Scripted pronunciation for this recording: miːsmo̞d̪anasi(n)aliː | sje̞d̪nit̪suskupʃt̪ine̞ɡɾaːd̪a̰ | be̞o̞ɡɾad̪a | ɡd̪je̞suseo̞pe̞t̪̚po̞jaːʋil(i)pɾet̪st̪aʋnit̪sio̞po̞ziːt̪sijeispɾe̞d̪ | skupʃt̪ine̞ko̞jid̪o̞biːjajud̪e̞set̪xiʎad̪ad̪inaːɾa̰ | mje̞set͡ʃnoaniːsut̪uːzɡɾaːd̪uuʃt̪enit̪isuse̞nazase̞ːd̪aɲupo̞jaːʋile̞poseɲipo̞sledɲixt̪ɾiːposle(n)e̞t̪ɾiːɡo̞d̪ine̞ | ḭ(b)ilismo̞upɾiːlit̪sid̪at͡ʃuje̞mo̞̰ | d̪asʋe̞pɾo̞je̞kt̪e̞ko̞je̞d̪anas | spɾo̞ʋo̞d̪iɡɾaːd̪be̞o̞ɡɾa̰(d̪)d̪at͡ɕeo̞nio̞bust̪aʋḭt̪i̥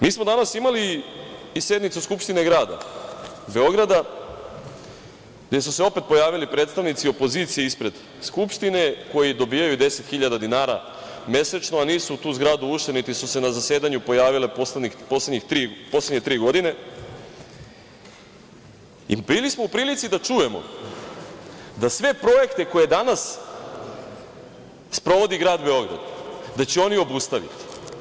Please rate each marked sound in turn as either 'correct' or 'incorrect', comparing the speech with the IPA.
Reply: incorrect: m, correct, incorrect: ɲ, correct, correct

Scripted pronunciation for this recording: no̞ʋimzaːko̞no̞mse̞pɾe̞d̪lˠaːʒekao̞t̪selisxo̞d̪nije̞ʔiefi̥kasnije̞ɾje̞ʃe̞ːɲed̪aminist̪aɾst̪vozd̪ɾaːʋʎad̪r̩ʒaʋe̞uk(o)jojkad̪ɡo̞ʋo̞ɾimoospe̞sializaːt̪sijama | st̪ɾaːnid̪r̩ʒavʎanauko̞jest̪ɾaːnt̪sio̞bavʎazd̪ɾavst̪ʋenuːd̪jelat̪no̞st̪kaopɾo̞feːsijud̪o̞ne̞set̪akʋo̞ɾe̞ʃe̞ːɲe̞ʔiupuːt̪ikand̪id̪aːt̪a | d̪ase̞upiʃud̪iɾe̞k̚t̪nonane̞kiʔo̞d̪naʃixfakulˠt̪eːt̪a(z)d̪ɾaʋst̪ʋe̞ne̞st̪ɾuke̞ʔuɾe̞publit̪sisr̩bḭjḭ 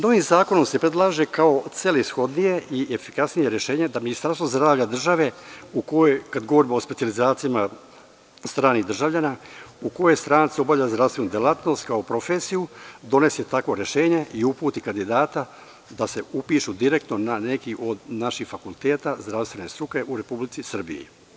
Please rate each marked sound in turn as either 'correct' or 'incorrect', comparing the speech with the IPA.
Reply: correct, correct

